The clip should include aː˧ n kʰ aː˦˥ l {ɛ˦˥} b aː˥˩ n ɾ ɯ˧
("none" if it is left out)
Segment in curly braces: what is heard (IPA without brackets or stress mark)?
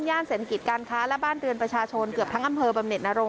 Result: ɛ˦˥